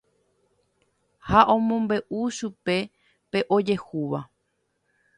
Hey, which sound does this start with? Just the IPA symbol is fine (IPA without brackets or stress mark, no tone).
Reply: h